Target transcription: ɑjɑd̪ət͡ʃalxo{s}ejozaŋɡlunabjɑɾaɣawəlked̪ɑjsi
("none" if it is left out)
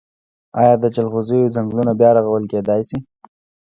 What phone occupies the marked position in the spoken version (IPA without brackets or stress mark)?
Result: z